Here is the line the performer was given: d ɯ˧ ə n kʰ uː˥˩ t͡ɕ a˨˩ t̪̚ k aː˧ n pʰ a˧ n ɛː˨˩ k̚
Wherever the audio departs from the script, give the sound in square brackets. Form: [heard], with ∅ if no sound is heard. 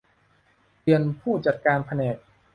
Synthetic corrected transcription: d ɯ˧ ə n [pʰ] uː˥˩ t͡ɕ a˨˩ t̪̚ k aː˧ n pʰ a˧ n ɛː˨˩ k̚